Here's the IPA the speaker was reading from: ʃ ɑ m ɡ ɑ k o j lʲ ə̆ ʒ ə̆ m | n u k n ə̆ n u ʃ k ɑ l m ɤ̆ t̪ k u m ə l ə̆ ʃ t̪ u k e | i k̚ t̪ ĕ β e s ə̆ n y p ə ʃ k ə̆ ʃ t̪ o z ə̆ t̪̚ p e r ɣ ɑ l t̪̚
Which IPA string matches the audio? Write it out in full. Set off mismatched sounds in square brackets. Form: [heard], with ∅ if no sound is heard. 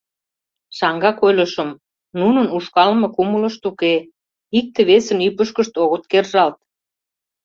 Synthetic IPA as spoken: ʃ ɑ [ŋ] ɡ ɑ k o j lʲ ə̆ [ʃ] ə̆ m | n u [∅] n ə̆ n u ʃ k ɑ l m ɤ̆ [∅] k u m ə l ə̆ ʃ t̪ u k e | i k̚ t̪ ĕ β e s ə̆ n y p ə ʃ k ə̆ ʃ t̪ o [ɣ] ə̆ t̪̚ [k] e r [ʒ] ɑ l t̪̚